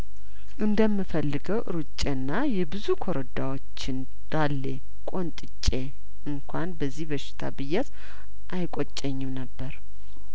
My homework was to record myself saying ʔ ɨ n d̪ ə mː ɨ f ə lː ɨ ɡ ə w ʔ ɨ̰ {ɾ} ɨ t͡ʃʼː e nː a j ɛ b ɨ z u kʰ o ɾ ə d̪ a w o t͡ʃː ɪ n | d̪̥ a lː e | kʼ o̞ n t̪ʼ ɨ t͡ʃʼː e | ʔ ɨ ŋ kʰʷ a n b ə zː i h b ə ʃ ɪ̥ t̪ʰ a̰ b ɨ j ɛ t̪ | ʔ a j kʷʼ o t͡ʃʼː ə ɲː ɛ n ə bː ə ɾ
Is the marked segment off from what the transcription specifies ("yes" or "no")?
no